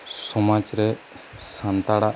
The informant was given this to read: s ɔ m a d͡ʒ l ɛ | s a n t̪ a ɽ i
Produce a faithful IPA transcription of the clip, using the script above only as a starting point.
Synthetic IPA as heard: s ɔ m a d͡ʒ ɾ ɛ | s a n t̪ a ɽ a